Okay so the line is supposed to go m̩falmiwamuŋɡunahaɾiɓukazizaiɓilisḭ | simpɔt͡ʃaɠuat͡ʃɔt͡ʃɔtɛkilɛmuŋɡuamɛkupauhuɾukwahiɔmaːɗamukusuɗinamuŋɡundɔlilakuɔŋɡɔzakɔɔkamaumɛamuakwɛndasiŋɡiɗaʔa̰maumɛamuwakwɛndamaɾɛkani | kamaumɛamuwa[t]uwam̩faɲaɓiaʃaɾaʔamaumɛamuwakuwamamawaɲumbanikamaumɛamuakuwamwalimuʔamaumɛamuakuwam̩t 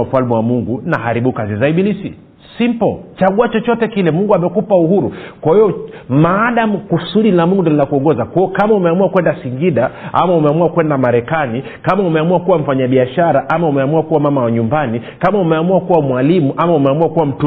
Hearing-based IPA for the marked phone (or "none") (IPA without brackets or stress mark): k